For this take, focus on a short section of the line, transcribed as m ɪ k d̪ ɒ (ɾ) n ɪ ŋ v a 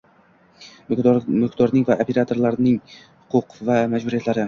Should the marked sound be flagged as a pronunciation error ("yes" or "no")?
no